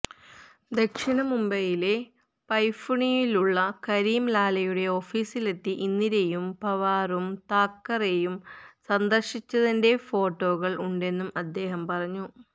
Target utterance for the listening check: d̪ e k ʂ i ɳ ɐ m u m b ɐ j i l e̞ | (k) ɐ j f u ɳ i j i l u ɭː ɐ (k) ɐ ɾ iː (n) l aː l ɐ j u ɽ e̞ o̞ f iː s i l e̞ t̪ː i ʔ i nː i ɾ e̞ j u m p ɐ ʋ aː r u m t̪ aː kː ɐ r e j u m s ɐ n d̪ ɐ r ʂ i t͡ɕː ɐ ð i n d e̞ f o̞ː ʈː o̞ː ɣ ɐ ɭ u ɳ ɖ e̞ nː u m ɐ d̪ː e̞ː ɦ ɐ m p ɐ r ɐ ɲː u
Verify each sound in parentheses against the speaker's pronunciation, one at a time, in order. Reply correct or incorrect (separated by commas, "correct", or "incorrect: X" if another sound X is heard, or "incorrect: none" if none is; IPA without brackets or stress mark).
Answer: incorrect: p, correct, incorrect: m